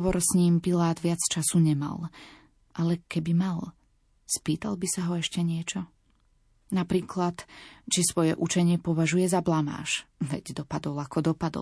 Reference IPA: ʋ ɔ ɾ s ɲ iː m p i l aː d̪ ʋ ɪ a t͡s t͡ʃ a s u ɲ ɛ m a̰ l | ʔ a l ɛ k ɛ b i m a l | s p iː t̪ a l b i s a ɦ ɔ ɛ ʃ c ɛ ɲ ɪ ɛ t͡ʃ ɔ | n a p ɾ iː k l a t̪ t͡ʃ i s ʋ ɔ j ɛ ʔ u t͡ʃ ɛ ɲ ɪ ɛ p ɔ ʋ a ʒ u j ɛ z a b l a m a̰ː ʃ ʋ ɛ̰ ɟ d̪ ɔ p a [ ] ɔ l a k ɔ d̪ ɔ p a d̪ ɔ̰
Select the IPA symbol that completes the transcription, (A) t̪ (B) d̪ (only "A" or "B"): B